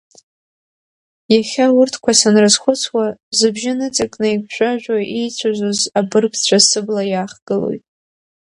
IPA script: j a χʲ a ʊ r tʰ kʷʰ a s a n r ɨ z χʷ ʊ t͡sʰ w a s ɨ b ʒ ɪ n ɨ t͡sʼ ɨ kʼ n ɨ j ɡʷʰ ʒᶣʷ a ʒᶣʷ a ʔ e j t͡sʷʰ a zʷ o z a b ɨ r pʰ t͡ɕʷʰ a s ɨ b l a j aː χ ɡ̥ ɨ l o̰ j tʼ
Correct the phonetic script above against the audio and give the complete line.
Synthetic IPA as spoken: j a χʲ a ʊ r tʰ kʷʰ a s a n r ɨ z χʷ ʊ t͡sʰ w a z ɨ b ʒ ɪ n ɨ t͡sʼ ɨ kʼ n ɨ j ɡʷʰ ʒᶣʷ a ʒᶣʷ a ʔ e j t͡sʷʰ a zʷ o z a b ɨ r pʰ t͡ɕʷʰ a s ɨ b l a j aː χ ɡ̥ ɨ l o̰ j tʼ